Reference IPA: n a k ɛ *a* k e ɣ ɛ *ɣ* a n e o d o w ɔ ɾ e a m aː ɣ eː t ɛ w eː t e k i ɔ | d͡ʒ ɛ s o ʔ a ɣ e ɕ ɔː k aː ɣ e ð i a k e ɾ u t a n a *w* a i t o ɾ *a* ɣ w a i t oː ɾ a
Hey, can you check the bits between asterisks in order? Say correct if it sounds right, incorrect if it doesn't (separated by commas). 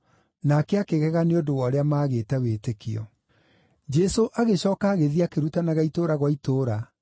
correct, correct, incorrect, correct